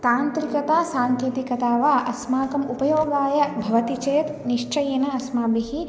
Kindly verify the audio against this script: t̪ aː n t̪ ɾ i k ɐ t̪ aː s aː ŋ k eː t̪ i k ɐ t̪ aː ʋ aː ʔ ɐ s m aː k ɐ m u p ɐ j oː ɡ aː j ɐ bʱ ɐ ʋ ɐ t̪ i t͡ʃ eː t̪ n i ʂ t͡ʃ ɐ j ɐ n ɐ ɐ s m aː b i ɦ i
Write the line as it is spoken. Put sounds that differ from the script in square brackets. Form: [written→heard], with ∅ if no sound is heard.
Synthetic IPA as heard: t̪ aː n t̪ ɾ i k ɐ t̪ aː s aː ŋ k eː t̪ i k ɐ t̪ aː ʋ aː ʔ ɐ s m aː k ɐ m u p ɐ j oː ɡ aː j ɐ bʱ ɐ ʋ ɐ t̪ i t͡ʃ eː t̪ n i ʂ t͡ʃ ɐ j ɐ n ɐ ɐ s m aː b i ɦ i